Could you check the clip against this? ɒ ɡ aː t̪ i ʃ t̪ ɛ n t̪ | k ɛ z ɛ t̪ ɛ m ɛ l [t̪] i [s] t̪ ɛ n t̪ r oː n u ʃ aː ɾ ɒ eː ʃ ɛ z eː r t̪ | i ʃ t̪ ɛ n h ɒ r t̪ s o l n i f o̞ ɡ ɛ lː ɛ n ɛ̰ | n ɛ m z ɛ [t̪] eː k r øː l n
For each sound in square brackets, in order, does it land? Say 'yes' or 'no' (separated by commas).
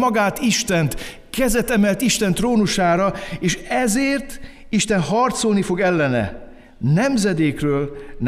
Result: yes, no, no